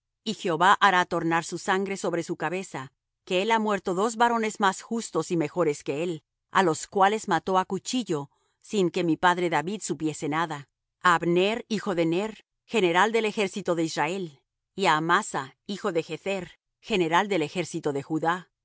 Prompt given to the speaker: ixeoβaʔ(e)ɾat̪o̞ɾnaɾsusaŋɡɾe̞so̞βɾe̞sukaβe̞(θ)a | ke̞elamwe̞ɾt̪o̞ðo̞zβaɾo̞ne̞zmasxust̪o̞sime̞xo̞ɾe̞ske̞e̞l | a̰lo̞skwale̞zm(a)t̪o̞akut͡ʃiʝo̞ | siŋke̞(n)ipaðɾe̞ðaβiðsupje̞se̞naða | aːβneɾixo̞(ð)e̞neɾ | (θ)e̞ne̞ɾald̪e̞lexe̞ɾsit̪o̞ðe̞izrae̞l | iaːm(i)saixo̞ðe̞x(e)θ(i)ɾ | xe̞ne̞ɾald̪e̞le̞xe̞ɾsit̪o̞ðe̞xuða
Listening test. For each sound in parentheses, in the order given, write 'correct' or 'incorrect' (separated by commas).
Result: incorrect, incorrect, correct, incorrect, correct, incorrect, incorrect, correct, incorrect